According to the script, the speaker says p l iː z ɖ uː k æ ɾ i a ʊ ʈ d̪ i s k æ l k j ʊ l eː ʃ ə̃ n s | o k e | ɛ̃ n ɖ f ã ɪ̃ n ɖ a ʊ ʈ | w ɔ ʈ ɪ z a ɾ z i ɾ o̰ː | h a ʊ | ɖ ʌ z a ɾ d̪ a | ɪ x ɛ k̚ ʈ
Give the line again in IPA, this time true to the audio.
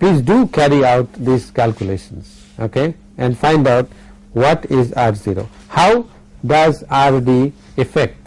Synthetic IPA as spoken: p l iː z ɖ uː k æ ɾ i a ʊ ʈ d̪ i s k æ l k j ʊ l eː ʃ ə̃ n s | o k e | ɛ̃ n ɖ f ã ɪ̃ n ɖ a ʊ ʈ | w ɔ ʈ ɪ z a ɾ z i ɾ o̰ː | h a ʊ | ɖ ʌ z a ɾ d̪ i | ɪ f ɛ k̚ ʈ